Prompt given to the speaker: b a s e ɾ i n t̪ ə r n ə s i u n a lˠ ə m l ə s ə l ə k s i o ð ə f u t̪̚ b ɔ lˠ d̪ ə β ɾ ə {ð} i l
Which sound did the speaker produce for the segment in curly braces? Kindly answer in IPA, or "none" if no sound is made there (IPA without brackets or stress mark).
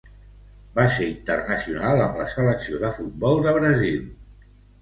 z